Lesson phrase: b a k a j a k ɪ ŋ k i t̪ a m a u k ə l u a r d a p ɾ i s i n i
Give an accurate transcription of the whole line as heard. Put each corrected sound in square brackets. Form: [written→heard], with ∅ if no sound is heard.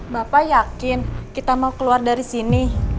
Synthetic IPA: b a [k→p] a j a k ɪ [ŋ→n] k i t̪ a m a u k ə l u a r d a [p→∅] ɾ i s i n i